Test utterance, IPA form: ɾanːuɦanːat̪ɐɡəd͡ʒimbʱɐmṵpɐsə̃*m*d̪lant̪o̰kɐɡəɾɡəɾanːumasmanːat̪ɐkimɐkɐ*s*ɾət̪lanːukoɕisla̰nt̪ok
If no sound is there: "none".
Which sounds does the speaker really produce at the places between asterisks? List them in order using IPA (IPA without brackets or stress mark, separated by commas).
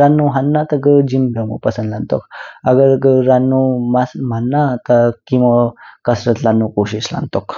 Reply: n, s